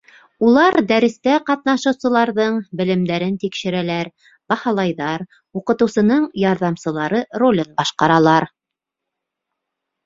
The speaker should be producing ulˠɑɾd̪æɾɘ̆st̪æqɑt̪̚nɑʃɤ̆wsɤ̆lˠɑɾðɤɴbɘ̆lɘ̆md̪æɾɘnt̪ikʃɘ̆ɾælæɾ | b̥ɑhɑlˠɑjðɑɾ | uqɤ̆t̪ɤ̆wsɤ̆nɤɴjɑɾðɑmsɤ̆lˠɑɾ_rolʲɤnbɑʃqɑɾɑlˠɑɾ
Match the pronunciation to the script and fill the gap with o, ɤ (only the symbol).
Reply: ɤ